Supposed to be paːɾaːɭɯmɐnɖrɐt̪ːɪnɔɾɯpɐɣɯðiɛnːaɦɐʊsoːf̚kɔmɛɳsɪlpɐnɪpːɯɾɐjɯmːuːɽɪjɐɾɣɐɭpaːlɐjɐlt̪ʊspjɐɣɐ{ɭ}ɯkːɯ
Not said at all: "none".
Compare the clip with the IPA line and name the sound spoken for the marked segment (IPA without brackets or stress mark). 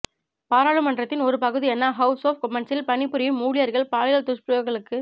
ɭ